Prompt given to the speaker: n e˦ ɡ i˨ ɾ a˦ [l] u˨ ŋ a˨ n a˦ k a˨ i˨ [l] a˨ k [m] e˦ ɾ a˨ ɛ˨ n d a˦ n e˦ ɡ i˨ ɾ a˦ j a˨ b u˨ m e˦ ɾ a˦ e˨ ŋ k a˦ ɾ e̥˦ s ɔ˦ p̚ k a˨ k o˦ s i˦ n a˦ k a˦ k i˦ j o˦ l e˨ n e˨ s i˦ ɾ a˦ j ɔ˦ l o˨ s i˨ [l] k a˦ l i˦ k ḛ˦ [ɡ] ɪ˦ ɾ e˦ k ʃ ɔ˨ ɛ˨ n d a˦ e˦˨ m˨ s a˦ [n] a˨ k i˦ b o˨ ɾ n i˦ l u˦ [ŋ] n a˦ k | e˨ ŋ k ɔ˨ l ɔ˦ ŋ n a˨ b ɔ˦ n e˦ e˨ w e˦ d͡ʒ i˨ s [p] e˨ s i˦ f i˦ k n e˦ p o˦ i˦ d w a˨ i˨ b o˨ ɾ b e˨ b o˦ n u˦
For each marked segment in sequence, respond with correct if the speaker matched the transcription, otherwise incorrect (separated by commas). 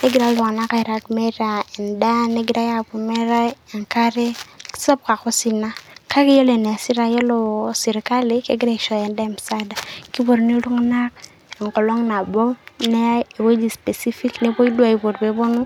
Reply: correct, incorrect, correct, incorrect, correct, incorrect, correct, correct